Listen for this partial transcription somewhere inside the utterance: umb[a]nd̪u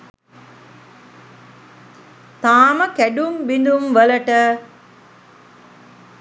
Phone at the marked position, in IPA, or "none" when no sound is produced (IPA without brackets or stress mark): i